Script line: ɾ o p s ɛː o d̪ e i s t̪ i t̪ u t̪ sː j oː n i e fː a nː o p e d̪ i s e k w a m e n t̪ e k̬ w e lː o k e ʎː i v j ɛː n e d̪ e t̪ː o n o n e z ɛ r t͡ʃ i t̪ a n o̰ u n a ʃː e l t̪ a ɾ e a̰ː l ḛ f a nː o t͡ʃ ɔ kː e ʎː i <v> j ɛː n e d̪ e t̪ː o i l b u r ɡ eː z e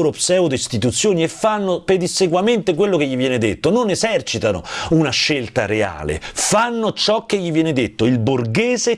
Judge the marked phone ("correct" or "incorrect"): correct